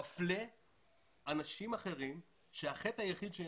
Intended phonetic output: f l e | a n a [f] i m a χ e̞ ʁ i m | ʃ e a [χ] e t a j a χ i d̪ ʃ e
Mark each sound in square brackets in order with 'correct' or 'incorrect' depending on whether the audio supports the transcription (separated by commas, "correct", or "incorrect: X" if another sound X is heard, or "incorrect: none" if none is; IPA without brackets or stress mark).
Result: incorrect: ʃ, correct